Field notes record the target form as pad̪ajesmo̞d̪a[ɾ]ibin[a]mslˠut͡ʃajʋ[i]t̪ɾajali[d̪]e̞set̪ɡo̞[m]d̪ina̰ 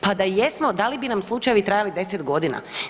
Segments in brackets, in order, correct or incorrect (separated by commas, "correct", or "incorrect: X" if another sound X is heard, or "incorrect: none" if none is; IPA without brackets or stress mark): incorrect: l, correct, correct, correct, incorrect: none